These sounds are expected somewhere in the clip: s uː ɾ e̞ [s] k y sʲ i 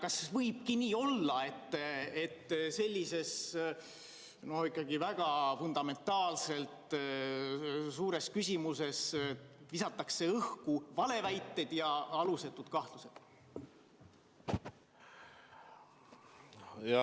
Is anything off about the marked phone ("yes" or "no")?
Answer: no